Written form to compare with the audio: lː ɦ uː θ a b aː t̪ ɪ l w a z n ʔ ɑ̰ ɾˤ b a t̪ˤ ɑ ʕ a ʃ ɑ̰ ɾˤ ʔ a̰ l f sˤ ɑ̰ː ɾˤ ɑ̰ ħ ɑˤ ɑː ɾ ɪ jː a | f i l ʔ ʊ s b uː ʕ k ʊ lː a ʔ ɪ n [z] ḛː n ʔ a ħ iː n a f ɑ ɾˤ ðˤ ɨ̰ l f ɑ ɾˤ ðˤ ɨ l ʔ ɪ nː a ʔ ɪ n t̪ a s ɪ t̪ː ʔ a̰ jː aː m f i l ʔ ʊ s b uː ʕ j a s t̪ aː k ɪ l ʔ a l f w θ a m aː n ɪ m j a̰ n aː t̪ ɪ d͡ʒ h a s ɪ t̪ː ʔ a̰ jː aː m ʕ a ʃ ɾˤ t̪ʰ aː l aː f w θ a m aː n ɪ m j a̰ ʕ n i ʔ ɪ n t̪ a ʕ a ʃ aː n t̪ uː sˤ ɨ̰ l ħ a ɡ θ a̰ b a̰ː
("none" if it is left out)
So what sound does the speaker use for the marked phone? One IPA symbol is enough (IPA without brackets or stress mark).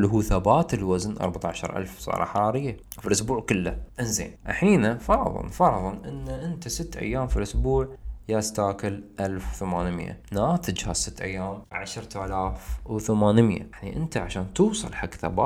z